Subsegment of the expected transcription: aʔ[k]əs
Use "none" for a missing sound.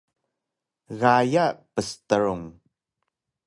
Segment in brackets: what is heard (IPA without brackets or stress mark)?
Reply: p